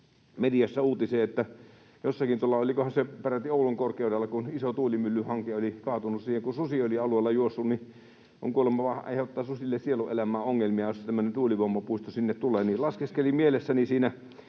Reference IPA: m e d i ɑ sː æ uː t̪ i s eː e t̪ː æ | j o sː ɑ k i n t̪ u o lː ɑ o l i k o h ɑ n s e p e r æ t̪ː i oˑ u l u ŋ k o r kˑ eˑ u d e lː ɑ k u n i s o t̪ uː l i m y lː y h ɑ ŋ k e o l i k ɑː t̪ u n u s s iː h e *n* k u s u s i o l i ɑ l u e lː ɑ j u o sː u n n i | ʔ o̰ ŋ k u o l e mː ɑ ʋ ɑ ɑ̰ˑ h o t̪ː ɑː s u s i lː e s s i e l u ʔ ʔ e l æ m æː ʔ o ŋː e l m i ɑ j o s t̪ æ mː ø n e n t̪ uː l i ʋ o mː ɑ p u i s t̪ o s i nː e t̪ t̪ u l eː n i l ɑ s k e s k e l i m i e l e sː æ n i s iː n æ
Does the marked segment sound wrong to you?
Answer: yes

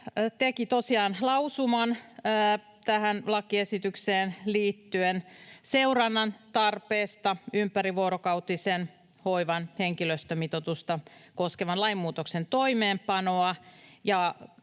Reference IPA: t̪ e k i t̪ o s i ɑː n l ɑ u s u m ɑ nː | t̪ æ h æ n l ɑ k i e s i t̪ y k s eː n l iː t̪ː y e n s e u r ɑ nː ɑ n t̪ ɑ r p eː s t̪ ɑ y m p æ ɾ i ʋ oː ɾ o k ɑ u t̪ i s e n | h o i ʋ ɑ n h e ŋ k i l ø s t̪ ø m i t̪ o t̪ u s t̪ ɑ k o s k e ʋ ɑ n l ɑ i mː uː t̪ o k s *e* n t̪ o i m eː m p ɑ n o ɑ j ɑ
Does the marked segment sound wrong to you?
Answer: no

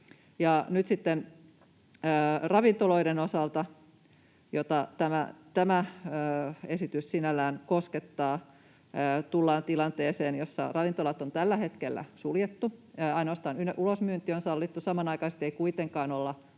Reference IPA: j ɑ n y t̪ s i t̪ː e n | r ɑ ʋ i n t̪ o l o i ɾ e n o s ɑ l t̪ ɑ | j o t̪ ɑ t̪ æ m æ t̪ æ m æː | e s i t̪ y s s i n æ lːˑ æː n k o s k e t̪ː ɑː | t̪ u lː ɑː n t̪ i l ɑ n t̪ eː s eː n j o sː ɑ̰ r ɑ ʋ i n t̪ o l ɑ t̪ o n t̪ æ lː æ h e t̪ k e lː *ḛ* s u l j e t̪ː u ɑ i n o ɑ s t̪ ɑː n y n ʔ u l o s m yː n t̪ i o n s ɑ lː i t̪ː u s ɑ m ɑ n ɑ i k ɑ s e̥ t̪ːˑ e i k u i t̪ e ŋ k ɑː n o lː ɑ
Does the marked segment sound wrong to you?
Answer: yes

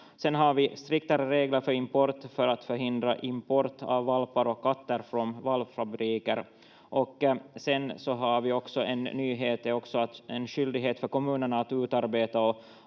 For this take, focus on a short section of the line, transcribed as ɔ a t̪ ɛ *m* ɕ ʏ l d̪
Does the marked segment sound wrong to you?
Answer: yes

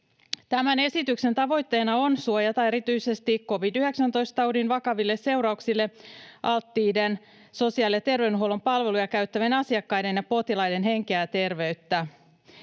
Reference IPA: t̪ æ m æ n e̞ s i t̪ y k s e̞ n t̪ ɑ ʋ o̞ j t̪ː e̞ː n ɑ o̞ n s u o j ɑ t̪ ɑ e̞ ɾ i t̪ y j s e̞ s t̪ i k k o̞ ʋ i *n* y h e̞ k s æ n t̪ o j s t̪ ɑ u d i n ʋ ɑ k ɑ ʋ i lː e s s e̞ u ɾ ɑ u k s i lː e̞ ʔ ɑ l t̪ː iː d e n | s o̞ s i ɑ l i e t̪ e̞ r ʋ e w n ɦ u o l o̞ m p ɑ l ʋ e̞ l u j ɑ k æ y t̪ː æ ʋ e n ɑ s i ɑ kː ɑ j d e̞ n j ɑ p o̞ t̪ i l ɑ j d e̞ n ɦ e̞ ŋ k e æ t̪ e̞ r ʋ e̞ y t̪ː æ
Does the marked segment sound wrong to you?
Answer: yes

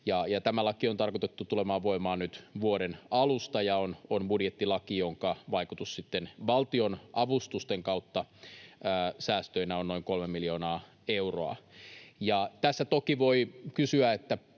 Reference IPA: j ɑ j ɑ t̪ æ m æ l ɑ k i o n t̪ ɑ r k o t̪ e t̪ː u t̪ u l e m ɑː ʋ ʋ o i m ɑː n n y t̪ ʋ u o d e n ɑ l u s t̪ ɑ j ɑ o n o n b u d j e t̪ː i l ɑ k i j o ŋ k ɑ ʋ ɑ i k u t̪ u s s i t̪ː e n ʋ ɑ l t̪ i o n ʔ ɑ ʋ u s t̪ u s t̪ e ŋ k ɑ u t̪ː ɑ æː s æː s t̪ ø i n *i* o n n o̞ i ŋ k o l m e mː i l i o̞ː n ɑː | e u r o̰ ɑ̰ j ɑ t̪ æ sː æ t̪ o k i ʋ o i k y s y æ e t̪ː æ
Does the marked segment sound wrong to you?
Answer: yes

